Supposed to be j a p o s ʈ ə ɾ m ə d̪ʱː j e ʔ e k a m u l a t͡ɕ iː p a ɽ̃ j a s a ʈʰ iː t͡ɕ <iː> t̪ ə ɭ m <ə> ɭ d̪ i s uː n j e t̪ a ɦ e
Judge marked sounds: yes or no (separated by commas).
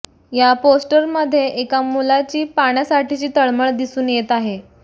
yes, yes